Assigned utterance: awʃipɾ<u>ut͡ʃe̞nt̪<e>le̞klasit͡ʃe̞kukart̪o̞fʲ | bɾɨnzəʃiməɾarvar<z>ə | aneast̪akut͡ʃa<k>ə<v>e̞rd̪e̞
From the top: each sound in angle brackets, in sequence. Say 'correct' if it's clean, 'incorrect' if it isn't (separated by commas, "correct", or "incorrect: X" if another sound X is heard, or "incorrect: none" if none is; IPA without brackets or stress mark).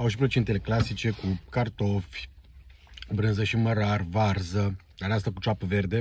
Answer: incorrect: o, correct, correct, incorrect: p, correct